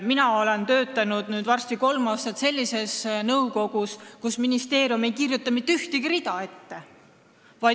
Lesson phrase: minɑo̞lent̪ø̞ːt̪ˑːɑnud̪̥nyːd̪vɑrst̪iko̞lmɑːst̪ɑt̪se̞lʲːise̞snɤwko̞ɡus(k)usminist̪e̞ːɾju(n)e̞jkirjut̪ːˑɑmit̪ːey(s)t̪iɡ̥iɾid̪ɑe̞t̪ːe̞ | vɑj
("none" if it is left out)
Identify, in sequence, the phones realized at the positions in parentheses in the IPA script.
k, m, h

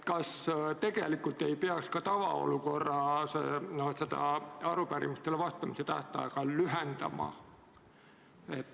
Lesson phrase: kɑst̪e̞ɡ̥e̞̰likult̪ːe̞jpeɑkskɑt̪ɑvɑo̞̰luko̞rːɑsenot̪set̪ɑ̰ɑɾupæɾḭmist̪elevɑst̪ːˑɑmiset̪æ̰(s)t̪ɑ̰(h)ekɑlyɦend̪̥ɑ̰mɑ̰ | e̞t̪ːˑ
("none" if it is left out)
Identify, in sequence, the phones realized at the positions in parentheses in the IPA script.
h, none

